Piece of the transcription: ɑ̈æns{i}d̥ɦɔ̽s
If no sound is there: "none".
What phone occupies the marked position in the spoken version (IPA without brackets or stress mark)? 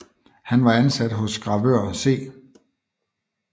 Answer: æ